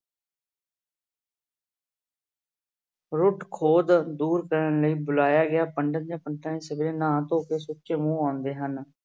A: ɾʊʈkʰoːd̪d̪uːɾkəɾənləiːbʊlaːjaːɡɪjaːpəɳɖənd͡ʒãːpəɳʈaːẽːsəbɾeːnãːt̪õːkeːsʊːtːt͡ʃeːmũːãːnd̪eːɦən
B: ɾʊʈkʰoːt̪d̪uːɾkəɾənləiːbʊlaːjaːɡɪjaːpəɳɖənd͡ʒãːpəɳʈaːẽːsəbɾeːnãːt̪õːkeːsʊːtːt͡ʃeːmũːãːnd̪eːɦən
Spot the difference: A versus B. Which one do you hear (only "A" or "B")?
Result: A